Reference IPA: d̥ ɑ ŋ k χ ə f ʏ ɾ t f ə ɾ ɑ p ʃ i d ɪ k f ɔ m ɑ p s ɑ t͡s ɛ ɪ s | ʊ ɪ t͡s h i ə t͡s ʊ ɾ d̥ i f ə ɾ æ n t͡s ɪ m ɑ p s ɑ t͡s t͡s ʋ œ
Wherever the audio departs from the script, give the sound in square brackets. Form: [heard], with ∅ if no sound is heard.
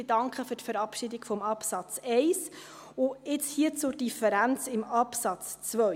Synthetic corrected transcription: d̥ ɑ ŋ k χ ə f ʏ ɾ t f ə ɾ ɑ p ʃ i d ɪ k f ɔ m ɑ p s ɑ t͡s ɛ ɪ s | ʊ ɪ t͡s h i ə t͡s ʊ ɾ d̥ i f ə ɾ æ n t͡s ɪ m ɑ p s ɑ t͡s t͡s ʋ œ